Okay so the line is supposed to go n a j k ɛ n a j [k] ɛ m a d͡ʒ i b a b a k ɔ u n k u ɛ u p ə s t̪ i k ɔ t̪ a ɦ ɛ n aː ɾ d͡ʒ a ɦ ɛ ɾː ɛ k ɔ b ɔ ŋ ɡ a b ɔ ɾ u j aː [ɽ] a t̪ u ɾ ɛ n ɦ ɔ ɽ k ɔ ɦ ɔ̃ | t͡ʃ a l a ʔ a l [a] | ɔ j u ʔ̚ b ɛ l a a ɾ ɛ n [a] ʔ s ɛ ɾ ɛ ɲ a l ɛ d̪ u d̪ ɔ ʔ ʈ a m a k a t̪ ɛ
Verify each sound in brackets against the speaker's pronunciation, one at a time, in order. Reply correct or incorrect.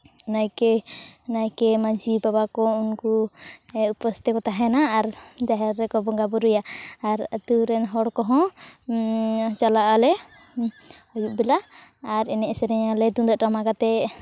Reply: correct, incorrect, incorrect, incorrect

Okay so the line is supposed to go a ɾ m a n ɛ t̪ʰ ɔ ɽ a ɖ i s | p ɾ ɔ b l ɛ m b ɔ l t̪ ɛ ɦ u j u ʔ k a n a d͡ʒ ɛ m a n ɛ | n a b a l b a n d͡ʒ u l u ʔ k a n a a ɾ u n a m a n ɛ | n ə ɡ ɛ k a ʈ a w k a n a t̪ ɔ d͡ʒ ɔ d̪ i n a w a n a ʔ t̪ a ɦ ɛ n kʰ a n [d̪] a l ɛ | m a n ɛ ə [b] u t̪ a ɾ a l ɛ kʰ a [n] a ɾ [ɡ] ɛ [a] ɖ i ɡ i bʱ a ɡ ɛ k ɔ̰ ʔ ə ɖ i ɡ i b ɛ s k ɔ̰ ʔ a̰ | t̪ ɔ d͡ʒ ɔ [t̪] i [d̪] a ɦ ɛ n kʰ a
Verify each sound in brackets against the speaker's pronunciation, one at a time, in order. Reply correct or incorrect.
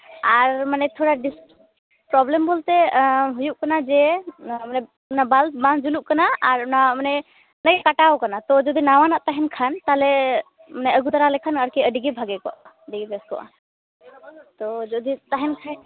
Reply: incorrect, incorrect, correct, incorrect, incorrect, incorrect, incorrect

